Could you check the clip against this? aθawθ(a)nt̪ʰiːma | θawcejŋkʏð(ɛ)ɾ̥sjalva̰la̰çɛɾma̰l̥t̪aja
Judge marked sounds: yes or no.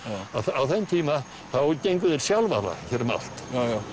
no, yes

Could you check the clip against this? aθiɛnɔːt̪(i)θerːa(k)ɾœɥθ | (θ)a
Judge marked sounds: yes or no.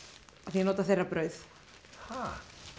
no, no, no

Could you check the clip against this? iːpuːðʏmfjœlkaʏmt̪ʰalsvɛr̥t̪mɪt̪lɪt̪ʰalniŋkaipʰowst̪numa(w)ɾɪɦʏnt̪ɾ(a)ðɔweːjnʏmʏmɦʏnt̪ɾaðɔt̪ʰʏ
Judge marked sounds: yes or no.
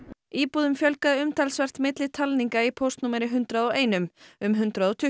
no, yes

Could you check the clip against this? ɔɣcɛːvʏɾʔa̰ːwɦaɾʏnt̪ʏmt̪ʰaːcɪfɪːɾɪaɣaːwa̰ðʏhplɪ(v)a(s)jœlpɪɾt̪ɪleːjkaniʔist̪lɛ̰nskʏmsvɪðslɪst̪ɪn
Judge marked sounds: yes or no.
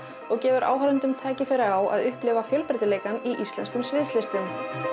yes, no

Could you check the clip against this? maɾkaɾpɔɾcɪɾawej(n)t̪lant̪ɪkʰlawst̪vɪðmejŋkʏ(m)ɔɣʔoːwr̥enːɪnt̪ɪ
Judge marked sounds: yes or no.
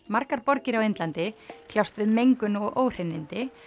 yes, no

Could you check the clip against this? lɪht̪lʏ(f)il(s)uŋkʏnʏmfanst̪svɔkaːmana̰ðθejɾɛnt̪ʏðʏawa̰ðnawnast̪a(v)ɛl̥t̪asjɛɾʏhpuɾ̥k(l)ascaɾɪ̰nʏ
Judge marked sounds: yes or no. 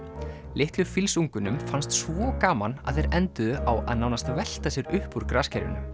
yes, yes, yes, no

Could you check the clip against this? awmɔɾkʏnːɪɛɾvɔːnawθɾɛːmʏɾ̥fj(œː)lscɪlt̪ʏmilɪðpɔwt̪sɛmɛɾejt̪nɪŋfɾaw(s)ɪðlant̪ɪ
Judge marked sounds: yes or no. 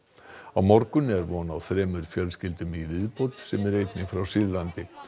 no, yes

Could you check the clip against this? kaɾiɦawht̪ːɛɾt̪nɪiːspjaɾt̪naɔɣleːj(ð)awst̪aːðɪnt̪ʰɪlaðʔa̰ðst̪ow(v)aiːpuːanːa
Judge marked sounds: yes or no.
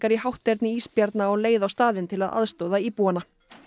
yes, no

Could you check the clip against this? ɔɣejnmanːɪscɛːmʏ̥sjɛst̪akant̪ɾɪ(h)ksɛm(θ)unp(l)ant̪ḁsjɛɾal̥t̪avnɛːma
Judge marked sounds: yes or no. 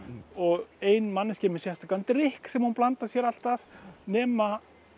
yes, no, yes

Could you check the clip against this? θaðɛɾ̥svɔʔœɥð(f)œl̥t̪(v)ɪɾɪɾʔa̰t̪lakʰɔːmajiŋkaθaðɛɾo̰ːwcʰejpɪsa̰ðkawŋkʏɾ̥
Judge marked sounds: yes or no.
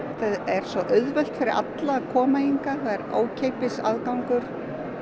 no, no

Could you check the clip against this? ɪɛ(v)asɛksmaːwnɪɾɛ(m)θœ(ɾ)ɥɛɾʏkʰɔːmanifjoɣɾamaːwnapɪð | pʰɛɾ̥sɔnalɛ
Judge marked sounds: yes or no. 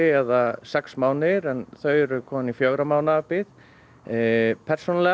no, no, no

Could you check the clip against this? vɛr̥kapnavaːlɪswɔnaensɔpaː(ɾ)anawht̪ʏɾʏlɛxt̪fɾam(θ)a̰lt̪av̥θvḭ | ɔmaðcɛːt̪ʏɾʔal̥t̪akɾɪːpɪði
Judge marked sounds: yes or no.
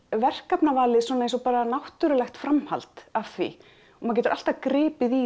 yes, no

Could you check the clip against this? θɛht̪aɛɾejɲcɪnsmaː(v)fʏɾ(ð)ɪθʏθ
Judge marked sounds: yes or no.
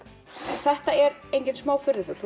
no, yes

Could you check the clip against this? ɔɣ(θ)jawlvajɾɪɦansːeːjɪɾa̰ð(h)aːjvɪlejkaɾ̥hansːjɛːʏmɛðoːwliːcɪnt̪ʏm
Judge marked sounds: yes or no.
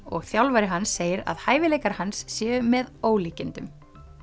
yes, yes

